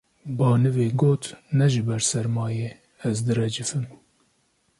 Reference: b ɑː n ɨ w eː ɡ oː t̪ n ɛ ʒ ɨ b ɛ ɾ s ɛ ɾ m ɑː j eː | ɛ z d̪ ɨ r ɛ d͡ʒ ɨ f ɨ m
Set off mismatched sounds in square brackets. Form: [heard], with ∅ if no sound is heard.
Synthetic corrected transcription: b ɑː n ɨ [v] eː ɡ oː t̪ n ɛ ʒ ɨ b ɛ ɾ s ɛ ɾ m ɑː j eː | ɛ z d̪ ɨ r ɛ d͡ʒ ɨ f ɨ m